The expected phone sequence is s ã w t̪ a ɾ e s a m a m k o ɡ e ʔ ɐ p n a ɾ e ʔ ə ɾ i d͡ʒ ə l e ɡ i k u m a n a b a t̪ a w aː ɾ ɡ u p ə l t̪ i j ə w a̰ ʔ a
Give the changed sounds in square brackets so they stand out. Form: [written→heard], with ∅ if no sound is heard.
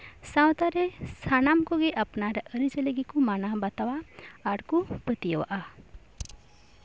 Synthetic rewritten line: s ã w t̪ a ɾ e s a [m→n] a m k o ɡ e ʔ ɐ p n a ɾ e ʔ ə ɾ i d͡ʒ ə l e ɡ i k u m a n a b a t̪ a w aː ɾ [ɡ→k] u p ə [l→∅] t̪ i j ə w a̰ ʔ a